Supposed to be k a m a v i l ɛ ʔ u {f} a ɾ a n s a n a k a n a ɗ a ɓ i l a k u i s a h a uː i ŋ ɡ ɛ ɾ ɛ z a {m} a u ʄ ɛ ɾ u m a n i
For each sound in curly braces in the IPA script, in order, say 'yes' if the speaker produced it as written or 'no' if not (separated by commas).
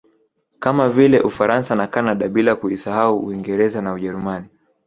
yes, no